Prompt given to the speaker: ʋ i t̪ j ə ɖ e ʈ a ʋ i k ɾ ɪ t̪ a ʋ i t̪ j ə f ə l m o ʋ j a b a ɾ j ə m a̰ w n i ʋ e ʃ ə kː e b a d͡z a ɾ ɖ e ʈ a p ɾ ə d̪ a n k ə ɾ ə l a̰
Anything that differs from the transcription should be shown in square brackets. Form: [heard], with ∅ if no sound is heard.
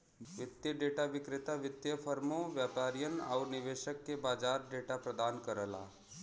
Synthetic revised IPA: ʋ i t̪ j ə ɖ e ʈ a ʋ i k ɾ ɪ t̪ a ʋ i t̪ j ə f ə [ɾ] m o ʋ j a [p] a ɾ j ə [n] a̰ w n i ʋ e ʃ ə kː e b a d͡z a ɾ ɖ e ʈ a p ɾ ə d̪ a n k ə ɾ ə l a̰